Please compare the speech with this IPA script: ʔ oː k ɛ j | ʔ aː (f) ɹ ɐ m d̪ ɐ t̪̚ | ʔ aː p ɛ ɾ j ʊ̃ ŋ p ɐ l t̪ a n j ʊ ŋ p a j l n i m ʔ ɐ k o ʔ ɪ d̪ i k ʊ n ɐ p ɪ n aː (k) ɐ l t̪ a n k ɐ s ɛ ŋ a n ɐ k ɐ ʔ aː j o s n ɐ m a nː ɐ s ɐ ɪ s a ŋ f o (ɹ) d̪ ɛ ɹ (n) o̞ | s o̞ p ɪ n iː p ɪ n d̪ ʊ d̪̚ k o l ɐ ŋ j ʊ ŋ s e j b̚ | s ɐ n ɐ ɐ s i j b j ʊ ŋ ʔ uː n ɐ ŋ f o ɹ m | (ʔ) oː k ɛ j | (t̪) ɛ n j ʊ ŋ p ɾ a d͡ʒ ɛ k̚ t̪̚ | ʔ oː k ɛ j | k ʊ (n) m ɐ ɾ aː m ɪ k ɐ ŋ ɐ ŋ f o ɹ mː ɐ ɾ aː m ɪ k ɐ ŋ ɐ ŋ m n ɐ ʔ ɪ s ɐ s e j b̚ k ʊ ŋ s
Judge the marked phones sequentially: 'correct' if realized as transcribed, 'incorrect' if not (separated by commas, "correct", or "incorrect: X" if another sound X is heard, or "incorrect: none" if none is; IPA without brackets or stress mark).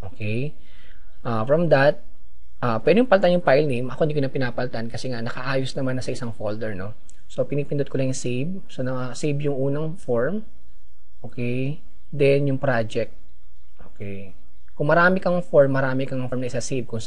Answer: correct, incorrect: p, incorrect: l, correct, correct, incorrect: d̪, incorrect: ŋ